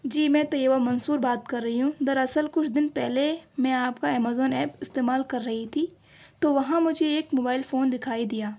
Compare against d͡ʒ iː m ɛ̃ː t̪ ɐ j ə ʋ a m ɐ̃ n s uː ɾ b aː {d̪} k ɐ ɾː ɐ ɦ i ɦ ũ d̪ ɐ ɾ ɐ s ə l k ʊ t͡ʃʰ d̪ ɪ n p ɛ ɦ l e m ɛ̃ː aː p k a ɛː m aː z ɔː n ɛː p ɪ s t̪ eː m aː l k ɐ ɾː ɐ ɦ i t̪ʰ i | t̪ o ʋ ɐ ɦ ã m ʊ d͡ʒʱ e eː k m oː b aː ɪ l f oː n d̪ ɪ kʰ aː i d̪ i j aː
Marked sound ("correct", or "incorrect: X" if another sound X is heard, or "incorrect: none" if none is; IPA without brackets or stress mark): incorrect: t̪